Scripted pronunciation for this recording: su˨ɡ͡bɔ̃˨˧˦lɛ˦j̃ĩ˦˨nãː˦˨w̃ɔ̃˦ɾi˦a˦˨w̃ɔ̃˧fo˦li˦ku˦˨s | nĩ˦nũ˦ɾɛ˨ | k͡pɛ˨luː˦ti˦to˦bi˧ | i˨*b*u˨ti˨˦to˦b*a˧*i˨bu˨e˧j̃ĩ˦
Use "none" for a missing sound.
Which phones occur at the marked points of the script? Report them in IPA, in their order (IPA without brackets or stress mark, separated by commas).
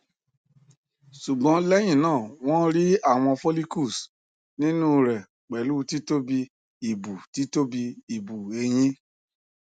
b, i˧